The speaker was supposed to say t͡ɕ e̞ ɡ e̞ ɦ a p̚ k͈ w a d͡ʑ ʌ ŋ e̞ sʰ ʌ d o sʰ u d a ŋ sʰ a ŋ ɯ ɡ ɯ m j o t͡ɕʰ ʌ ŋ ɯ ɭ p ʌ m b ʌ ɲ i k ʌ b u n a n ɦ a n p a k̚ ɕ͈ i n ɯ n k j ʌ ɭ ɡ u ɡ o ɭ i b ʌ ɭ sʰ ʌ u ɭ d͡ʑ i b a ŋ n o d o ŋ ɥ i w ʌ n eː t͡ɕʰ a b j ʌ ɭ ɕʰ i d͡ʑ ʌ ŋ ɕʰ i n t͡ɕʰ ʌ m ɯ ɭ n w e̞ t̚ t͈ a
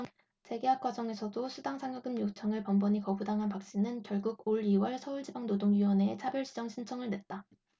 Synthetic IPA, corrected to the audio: t͡ɕ e̞ ɡ e̞ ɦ a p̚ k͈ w a d͡ʑ ʌ ŋ e̞ sʰ ʌ d o sʰ u d a ŋ sʰ a ŋ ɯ ɡ ɯ m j o t͡ɕʰ ʌ ŋ ɯ ɭ p ʌ m b ʌ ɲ i k ʌ b u d a ŋ ɦ a n p a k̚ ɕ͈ i n ɯ n k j ʌ ɭ ɡ u ɡ o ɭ i w ʌ ɭ sʰ ʌ u ɭ d͡ʑ i b a ŋ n o d o ŋ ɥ i w ʌ n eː t͡ɕʰ a b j ʌ ɭ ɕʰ i d͡ʑ ʌ ŋ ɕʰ i n t͡ɕʰ ʌ ŋ ɯ ɭ n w e̞ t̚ t͈ a